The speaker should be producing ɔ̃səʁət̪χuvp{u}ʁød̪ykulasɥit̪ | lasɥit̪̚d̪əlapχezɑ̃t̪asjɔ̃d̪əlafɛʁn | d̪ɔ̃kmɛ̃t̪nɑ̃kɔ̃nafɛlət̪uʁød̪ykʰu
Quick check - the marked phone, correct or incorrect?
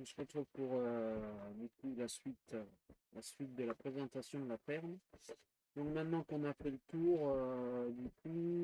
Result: correct